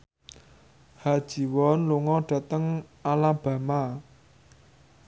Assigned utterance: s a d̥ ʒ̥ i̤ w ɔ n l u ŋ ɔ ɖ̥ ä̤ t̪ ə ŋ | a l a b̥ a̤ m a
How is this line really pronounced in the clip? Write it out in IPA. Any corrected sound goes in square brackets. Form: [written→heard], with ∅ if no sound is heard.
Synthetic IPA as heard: [s→h] a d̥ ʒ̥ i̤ w ɔ n l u ŋ ɔ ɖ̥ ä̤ t̪ ə ŋ | a l a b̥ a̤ m a